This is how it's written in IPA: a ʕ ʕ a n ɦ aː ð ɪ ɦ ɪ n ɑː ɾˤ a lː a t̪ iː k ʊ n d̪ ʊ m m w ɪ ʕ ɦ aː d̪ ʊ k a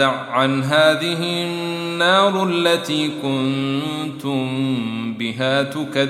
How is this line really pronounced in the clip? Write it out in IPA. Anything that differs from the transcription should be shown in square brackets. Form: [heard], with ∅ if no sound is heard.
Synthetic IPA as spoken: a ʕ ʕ a n ɦ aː ð ɪ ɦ ɪ [nː] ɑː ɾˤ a lː a t̪ iː k ʊ n [t̪] ʊ m m [b] ɪ [∅] ɦ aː [t̪] ʊ k a